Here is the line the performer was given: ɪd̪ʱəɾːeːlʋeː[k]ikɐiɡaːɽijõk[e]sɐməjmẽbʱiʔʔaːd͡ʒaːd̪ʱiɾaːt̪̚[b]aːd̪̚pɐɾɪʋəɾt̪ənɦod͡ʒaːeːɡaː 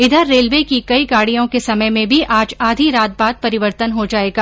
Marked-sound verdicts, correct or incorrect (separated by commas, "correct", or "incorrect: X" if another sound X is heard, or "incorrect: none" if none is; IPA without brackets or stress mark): correct, correct, correct